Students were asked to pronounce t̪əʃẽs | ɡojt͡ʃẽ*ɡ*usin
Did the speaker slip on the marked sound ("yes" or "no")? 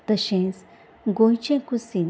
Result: yes